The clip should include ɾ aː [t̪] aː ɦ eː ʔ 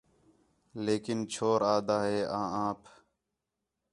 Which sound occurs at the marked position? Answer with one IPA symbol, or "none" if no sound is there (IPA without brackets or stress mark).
d̪